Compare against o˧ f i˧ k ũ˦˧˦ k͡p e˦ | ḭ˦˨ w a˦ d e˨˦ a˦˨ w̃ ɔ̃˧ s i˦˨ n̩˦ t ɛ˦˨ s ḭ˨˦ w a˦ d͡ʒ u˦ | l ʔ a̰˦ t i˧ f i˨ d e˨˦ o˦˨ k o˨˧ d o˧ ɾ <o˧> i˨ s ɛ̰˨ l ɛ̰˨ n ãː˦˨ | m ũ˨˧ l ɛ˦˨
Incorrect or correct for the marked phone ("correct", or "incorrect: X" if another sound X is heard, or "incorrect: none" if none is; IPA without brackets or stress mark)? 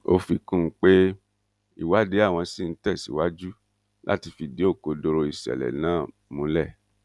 correct